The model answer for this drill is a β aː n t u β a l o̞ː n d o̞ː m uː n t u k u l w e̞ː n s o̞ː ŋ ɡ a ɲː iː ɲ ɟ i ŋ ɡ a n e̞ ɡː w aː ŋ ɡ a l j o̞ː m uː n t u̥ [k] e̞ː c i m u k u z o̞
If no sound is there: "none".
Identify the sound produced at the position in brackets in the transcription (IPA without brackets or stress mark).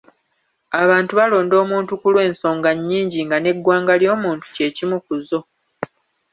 c